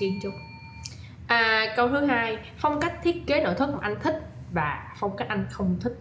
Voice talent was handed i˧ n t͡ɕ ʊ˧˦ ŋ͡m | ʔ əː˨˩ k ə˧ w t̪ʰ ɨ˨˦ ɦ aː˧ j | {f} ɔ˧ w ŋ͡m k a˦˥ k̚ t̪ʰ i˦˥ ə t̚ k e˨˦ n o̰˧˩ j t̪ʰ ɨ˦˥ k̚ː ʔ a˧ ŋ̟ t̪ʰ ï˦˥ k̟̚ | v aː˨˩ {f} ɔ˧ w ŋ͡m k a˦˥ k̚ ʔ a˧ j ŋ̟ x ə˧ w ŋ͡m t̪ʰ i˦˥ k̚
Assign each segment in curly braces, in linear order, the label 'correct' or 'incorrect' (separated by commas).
correct, correct